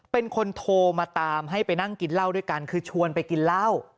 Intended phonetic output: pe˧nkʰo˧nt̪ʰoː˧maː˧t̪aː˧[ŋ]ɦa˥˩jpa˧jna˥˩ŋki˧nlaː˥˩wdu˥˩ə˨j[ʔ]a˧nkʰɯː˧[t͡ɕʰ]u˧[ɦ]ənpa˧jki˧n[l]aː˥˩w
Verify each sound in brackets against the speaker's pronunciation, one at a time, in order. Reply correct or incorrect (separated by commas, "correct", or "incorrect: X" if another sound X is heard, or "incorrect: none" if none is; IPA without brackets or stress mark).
incorrect: m, incorrect: k, correct, incorrect: none, correct